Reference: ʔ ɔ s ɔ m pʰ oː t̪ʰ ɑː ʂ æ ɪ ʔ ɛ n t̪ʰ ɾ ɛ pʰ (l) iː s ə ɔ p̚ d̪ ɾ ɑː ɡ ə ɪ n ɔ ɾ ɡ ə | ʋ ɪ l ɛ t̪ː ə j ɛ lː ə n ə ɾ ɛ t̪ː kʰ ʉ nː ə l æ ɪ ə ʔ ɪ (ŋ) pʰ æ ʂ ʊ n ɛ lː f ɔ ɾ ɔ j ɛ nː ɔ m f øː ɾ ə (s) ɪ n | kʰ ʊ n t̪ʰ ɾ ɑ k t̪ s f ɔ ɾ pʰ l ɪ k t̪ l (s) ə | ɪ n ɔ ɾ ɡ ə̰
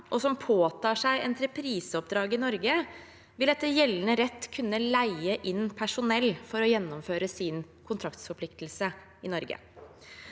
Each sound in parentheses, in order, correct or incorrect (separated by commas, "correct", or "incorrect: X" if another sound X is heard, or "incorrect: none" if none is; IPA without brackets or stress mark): incorrect: ɾ, incorrect: n, correct, correct